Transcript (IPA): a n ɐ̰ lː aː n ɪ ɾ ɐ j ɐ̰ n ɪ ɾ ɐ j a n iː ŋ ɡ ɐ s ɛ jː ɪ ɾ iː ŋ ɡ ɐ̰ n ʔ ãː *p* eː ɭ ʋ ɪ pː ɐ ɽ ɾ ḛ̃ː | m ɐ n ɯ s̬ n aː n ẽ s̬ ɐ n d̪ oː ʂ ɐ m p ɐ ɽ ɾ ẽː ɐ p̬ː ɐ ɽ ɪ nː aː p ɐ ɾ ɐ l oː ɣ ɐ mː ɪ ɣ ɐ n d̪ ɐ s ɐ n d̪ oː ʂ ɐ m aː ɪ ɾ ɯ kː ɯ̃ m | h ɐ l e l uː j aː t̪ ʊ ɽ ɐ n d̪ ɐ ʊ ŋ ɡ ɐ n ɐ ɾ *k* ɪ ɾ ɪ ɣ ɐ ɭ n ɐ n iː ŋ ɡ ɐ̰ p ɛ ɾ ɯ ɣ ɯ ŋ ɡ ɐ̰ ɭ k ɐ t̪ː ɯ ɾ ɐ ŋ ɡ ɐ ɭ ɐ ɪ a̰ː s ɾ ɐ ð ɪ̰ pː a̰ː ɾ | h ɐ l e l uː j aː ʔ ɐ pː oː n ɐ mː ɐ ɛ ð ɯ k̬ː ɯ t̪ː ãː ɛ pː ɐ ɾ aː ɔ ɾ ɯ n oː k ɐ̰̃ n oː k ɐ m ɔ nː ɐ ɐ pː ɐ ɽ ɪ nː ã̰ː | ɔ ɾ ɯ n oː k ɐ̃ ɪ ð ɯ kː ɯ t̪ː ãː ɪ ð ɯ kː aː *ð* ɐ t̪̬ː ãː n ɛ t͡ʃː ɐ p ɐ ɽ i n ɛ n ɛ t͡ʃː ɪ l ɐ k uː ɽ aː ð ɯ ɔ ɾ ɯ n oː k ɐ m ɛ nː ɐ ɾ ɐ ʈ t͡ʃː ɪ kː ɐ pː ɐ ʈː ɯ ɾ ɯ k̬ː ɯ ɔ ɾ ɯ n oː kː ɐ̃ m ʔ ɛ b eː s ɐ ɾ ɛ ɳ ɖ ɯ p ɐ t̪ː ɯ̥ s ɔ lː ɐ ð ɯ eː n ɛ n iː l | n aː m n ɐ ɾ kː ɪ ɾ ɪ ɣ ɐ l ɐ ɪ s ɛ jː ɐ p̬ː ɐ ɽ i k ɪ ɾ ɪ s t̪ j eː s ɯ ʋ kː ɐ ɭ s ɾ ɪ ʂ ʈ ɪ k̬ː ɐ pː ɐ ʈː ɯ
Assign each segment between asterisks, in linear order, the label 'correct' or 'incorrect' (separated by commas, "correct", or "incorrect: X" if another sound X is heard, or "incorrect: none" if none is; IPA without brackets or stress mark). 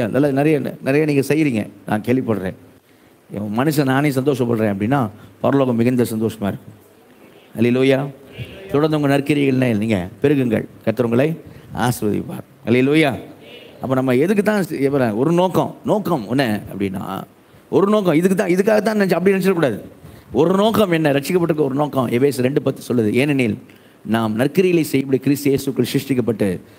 incorrect: k, correct, incorrect: ɣ